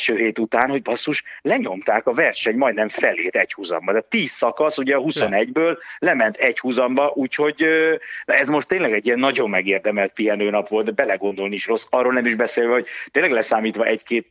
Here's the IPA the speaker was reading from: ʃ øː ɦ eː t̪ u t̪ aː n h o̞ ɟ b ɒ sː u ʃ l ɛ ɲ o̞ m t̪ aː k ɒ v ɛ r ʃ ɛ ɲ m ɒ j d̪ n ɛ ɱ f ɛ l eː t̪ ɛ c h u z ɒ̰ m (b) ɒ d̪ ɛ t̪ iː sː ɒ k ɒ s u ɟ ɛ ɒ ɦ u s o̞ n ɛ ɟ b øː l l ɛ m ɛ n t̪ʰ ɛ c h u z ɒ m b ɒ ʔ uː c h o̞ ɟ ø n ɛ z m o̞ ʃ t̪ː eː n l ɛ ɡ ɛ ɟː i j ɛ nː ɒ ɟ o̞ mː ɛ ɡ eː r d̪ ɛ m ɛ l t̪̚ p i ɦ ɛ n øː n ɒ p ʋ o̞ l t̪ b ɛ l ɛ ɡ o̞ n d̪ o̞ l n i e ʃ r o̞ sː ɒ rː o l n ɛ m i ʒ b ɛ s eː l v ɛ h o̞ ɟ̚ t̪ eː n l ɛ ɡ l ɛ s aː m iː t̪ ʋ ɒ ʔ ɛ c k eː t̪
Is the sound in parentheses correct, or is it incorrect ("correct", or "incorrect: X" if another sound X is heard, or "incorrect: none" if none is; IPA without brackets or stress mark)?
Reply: correct